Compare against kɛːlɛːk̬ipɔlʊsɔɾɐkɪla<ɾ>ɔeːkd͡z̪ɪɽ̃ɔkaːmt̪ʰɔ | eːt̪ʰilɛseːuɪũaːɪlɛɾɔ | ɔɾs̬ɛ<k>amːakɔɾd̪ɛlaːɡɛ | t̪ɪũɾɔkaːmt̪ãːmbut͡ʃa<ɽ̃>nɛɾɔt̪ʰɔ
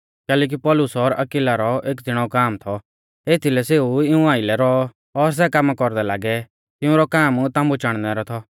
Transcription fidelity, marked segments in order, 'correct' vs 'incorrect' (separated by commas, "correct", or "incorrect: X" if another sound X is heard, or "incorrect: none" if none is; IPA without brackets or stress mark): correct, correct, correct